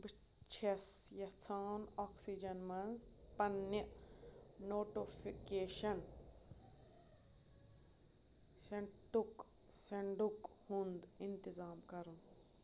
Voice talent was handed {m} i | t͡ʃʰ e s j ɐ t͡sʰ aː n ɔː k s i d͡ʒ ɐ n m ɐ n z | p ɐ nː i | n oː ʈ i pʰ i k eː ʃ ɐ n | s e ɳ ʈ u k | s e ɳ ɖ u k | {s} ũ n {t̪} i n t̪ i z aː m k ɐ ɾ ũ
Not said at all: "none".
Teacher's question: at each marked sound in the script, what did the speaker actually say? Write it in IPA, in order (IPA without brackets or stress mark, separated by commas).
b, h, d̪